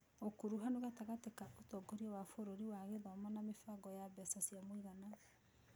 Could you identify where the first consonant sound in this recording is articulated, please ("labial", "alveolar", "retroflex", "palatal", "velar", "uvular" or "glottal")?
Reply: velar